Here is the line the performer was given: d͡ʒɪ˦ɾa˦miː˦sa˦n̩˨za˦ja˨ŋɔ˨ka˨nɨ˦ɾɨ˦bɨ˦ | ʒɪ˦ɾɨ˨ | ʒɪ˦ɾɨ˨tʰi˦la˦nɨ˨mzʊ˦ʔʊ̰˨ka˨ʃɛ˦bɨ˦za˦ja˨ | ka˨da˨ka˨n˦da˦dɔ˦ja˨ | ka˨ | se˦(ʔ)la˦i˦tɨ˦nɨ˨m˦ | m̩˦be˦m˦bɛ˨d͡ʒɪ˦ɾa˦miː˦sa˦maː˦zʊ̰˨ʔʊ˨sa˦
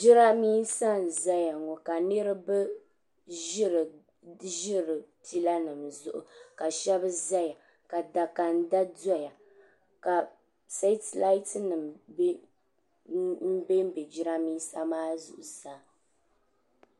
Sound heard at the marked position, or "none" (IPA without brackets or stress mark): t